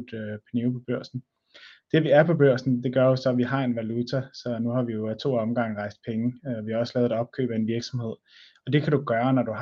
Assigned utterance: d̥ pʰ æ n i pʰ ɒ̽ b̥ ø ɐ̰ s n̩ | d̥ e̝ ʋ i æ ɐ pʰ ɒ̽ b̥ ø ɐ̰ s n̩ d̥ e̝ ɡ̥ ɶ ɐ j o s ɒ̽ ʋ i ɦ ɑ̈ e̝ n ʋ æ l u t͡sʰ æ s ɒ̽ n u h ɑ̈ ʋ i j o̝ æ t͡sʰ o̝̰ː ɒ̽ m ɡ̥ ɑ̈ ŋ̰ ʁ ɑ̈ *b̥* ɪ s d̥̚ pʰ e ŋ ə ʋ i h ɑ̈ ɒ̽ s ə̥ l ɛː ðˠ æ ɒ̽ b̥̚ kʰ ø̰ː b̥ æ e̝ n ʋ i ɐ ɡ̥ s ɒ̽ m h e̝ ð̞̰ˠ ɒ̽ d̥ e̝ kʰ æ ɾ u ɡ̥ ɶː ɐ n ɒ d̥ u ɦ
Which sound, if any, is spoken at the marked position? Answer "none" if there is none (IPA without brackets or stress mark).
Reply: none